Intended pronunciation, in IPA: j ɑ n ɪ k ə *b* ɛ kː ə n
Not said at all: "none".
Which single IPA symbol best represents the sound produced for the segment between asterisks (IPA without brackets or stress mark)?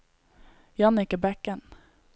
b